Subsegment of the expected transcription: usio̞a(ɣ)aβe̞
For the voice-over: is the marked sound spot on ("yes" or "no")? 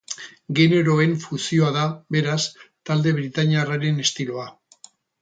no